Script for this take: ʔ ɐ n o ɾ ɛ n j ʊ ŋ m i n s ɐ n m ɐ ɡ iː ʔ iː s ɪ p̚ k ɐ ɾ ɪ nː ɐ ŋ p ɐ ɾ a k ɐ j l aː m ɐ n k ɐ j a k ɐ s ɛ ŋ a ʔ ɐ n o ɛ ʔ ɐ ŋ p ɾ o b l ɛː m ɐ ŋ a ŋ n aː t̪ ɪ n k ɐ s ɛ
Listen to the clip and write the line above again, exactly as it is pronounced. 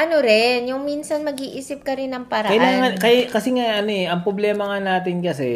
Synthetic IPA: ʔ ɐ n o ɾ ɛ n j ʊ ŋ m i n s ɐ n m ɐ ɡ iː ʔ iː s ɪ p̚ k ɐ ɾ ɪ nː ɐ ŋ p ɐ ɾ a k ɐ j l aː ŋ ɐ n k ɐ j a k ɐ s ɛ ŋ a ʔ ɐ n o ɛ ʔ ɐ ŋ p ɾ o b l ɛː m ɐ ŋ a n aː t̪ ɪ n k ɐ s ɛ